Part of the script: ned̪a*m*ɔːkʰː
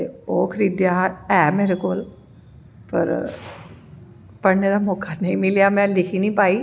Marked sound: correct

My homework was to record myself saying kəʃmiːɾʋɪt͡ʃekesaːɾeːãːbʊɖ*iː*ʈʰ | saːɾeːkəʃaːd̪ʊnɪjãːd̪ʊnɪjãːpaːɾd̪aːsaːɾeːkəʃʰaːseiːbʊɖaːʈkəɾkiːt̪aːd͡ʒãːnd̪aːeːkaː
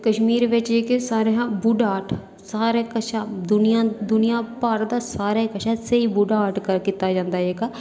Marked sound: incorrect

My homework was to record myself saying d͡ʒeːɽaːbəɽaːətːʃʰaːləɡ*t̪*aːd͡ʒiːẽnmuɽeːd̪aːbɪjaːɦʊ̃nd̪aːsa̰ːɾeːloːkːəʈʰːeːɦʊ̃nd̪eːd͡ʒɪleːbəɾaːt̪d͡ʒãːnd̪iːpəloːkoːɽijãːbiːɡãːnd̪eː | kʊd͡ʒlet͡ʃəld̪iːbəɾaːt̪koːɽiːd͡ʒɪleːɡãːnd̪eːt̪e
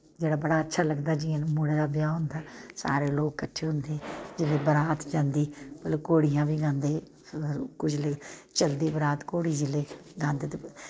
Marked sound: incorrect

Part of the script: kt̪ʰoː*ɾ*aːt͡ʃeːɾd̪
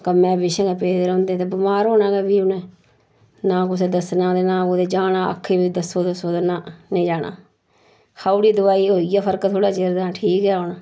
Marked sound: incorrect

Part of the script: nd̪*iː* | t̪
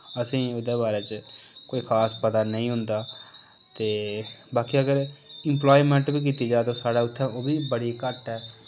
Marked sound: incorrect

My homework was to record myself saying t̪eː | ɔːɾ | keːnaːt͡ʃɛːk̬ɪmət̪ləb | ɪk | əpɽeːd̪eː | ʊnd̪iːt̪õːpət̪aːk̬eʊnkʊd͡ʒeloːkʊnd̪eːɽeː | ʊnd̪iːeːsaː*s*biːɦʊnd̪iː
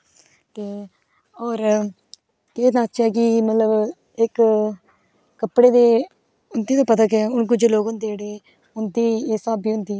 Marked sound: incorrect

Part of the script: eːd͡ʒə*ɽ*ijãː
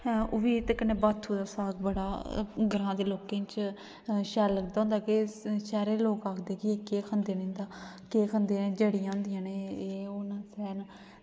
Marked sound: correct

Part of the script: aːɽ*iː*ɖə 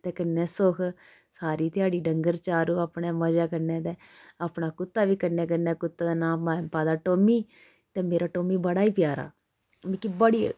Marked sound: correct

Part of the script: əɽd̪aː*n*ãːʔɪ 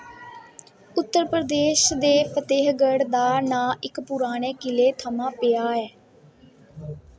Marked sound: correct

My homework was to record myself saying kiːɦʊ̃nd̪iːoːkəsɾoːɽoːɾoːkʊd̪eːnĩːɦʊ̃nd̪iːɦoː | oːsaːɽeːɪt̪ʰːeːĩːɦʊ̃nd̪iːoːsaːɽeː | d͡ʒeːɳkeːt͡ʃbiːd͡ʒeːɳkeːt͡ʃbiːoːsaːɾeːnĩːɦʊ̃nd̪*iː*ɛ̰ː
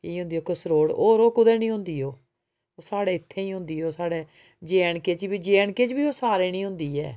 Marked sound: correct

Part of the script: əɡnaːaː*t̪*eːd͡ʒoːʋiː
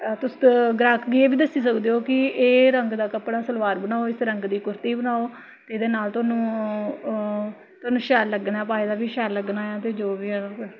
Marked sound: correct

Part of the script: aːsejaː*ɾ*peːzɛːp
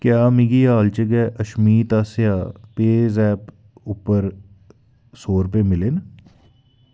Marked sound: incorrect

